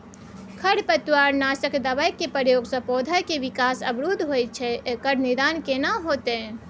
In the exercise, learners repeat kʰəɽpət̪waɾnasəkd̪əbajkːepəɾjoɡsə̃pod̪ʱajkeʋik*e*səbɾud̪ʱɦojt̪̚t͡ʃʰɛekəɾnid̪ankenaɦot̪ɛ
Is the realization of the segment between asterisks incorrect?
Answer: yes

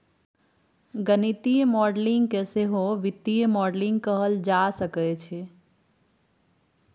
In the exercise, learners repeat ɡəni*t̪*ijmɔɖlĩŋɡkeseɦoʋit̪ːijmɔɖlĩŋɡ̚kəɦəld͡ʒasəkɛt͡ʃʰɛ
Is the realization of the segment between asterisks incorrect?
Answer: no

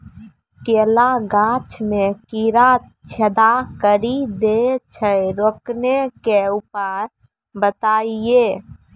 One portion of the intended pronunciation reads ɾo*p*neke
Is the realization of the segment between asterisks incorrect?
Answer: yes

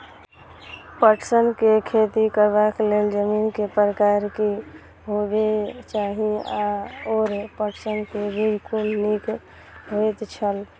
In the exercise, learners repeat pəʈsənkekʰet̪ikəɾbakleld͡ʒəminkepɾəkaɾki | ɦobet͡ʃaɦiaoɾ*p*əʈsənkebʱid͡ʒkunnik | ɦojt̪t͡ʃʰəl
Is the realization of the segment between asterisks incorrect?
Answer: no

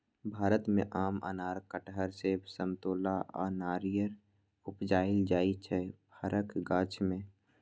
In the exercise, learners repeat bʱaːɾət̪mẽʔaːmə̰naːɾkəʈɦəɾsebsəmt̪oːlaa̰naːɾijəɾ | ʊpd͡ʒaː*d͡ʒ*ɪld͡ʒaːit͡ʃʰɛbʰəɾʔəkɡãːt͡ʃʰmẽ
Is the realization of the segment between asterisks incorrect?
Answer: yes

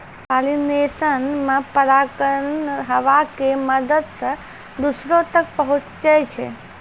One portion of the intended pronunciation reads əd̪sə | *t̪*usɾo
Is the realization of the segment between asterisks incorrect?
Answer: yes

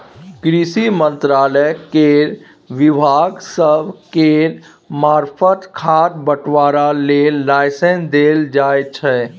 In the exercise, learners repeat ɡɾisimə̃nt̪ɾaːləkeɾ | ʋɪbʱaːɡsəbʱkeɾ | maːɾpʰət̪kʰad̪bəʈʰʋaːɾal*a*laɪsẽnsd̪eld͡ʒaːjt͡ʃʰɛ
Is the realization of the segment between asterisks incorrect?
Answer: yes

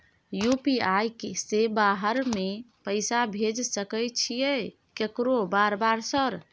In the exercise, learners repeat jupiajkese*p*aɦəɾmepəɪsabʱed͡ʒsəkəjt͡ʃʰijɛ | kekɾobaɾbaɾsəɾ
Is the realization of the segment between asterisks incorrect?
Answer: yes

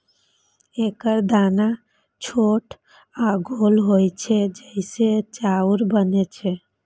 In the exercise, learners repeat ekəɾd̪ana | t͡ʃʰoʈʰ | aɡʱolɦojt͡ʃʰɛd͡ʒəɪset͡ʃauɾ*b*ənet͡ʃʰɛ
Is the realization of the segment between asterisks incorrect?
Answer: no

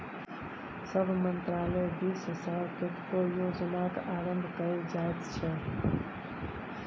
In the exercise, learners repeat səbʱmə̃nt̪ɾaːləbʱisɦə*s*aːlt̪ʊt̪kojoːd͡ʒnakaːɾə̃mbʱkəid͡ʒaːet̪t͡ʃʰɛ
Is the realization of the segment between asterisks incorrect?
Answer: no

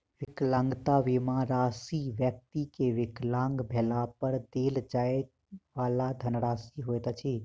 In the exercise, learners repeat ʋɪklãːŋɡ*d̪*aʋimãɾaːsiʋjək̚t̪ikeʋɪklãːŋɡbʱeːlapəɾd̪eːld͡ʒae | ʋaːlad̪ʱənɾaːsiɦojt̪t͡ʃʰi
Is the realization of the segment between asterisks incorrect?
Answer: yes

